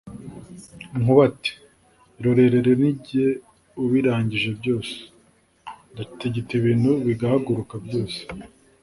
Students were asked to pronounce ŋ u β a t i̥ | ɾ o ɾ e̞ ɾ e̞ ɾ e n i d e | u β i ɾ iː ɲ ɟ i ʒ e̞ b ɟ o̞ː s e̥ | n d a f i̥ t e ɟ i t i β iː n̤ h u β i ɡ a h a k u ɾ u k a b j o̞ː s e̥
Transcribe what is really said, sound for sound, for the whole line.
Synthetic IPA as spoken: ŋ u β a t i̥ | ɾ o ɾ e̞ ɾ e̞ ɾ e n i ɟ e | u β i ɾ aː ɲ ɟ i ʒ e̞ b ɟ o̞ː s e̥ | n d a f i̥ t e ɟ i t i β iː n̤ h u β i ɡ a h a ɡ u ɾ u k a b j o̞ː s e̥